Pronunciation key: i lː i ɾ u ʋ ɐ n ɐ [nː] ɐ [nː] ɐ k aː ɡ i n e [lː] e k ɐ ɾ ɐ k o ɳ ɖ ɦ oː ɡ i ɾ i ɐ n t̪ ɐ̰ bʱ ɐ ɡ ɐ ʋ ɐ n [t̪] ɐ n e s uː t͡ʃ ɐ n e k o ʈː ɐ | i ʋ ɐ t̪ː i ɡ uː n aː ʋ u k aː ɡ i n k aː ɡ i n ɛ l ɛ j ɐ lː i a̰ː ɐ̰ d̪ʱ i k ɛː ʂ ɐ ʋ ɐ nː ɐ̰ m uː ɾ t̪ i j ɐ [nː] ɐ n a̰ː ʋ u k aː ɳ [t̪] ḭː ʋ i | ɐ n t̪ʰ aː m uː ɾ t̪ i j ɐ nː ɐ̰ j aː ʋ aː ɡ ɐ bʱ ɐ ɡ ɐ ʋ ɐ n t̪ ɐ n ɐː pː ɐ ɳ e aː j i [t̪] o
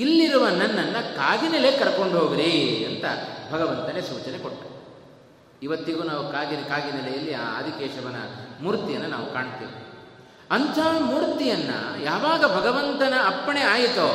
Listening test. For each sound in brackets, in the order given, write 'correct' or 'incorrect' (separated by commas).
correct, correct, incorrect, correct, correct, correct, correct